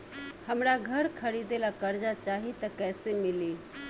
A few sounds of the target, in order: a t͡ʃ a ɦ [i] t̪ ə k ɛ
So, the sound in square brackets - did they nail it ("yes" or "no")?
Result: yes